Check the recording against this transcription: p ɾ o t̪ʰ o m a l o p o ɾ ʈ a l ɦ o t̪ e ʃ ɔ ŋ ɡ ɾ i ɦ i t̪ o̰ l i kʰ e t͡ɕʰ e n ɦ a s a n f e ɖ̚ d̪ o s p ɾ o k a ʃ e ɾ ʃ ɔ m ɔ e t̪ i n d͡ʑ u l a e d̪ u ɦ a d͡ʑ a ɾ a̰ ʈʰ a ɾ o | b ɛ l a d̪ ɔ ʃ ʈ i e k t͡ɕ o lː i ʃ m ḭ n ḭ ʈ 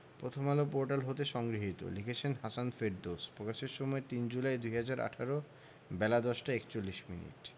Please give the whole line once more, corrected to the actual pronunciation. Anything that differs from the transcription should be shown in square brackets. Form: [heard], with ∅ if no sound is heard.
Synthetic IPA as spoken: p ɾ o t̪ʰ o m a l o p o ɾ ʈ a l ɦ o t̪ e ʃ ɔ ŋ ɡ ɾ i ɦ i t̪ o̰ l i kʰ e t͡ɕʰ e n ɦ a s a n f e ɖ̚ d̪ o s p ɾ o k a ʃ e ɾ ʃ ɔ m ɔ e t̪ i n d͡ʑ u l a e d̪ u ɦ a d͡ʑ a ɾ a̰ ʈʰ a ɾ o | b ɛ l a d̪ ɔ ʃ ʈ [a] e k t͡ɕ o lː i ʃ m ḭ n ḭ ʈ

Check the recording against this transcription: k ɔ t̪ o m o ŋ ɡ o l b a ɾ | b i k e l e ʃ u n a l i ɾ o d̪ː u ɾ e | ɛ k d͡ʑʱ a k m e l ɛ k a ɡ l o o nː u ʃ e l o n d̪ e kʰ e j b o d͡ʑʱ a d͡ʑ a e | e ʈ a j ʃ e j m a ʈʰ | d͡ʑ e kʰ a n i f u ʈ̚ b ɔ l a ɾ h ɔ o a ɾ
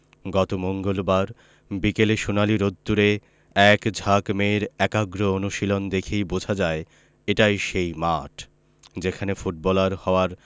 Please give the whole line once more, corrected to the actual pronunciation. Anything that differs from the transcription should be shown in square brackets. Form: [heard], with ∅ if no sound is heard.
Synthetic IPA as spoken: [ɡ] ɔ t̪ o m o ŋ ɡ o l b a ɾ | b i k e l e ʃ u n a l i ɾ o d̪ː u ɾ e | ɛ k d͡ʑʱ a k m e [ɾ] ɛ k a ɡ [ɾ] o o [n] u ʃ [i] l o n d̪ e kʰ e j b o d͡ʑʱ a d͡ʑ a e | e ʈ a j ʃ e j m a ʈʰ | d͡ʑ e kʰ a n [e] f u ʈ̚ b ɔ l a ɾ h ɔ o a ɾ

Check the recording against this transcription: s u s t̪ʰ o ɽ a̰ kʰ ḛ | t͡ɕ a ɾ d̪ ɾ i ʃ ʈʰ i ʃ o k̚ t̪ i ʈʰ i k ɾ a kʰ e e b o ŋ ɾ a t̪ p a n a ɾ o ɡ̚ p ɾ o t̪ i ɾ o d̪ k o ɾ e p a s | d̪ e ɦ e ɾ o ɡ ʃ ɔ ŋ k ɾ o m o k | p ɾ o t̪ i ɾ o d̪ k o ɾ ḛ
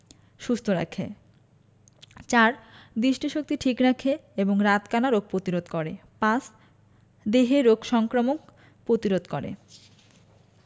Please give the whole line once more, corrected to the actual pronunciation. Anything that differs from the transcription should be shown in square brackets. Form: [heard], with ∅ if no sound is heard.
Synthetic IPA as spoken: [ʃ] u s t̪ʰ o [ɾ] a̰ kʰ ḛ | t͡ɕ a ɾ d̪ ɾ i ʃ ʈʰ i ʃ o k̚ t̪ i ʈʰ i k ɾ a kʰ e e b o ŋ ɾ a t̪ [k] a n a ɾ o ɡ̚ p ɾ o t̪ i ɾ o d̪ k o ɾ e p a s | d̪ e ɦ e ɾ o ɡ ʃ ɔ ŋ k ɾ o m o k | p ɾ o t̪ i ɾ o d̪ k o ɾ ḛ

